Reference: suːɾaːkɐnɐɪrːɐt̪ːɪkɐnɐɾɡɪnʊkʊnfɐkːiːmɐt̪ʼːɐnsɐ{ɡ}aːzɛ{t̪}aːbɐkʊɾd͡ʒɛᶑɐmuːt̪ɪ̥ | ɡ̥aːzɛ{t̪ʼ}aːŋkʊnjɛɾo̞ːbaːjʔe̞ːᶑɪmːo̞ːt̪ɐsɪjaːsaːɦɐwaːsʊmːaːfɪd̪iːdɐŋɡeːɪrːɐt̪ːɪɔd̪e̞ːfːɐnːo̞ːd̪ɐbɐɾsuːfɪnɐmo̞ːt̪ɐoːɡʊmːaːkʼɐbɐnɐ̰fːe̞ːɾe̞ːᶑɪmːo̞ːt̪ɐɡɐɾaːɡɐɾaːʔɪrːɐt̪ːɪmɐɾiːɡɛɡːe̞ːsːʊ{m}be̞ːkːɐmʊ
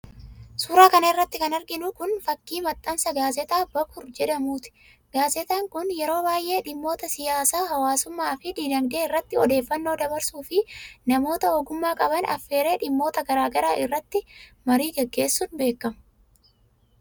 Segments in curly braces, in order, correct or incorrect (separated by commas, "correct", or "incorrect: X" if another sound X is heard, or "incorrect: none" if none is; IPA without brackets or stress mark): correct, correct, incorrect: t̪, incorrect: n